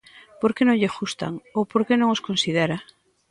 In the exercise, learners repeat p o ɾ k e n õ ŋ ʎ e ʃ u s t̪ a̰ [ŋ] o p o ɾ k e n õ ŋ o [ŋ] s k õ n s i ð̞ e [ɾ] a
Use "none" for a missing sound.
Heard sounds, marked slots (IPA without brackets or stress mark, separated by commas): ŋ, none, ɾ